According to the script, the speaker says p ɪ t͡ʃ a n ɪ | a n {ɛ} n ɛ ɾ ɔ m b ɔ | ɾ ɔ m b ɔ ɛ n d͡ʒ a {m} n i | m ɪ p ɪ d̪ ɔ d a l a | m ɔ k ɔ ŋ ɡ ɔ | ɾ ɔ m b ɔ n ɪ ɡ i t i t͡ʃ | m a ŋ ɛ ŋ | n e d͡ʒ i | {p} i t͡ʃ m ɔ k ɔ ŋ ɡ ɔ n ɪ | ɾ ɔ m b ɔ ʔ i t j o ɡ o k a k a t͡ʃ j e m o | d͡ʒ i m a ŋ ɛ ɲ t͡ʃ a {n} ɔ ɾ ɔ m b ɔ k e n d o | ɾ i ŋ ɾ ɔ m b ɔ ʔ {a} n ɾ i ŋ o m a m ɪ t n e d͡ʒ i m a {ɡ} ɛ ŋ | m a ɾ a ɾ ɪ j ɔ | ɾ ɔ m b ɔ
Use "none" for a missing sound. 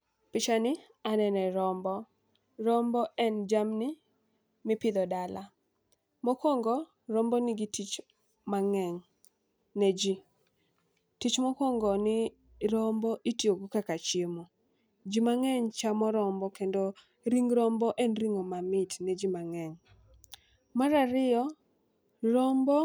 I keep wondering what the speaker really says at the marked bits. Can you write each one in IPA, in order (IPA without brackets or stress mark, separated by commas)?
ɛ, m, t, m, ɛ, ŋ